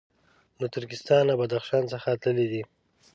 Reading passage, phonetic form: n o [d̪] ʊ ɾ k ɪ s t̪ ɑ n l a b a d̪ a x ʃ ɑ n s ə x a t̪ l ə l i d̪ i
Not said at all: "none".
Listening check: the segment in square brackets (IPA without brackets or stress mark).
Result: t̪